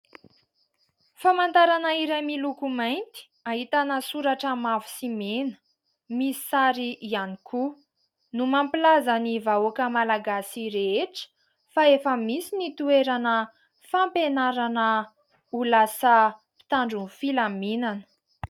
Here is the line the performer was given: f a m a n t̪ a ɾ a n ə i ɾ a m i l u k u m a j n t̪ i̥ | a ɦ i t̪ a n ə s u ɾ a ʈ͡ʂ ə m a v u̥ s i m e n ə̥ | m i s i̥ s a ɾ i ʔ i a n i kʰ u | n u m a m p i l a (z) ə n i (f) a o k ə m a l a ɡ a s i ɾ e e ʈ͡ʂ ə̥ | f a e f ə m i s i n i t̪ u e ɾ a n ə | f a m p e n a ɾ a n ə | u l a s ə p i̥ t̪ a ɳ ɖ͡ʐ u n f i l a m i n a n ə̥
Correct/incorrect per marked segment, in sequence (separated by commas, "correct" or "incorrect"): correct, incorrect